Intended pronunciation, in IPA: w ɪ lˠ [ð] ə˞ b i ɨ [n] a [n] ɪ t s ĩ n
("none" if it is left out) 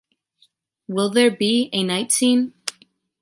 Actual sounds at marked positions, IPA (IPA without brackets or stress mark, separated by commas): ð, n, none